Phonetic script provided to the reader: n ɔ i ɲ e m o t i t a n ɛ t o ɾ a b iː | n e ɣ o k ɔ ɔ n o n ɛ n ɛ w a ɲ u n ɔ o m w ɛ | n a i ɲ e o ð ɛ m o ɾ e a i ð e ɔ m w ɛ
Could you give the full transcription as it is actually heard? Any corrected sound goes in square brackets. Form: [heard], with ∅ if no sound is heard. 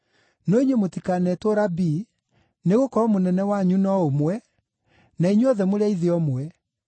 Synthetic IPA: n ɔ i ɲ e m o t i [k] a n ɛ t o ɾ a b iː | n e ɣ o k ɔ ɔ [m] o n ɛ n ɛ w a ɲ u n ɔ o m w ɛ | n a i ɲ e [ɔ] ð ɛ m o ɾ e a i ð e ɔ m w ɛ